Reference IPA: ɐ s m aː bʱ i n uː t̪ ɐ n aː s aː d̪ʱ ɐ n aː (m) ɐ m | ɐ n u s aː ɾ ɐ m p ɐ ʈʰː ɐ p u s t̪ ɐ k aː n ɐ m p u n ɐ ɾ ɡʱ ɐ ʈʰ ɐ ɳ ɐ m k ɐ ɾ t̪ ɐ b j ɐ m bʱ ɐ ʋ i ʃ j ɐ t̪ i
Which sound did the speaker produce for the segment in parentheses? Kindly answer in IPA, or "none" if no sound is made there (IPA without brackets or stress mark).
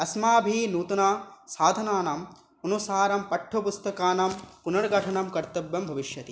n